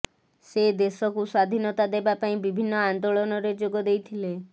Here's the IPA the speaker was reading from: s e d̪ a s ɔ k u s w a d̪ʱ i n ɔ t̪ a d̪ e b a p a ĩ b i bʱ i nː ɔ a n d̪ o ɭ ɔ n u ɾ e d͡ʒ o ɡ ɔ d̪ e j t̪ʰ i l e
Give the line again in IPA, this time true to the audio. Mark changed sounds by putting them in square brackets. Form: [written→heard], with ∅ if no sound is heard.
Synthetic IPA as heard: s e d̪ [a→e] s ɔ k u s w a d̪ʱ i n ɔ t̪ a d̪ e b a p a ĩ b i bʱ i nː ɔ a n d̪ o ɭ ɔ n [u→ɔ] ɾ e d͡ʒ o ɡ ɔ d̪ e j t̪ʰ i l e